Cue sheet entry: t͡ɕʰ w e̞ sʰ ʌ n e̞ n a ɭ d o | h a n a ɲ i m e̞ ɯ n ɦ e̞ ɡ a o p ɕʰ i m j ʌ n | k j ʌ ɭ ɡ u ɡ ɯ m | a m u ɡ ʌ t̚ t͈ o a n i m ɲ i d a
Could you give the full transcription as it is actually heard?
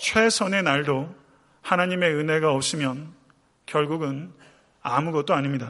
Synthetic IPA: t͡ɕʰ w e̞ sʰ ʌ n e̞ n a ɭ d o | h a n a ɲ i m e̞ ɯ n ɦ e̞ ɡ a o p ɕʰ i m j ʌ n | k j ʌ ɭ ɡ u ɡ ɯ n | a m u ɡ ʌ t̚ t͈ o a ɲ i m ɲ i d a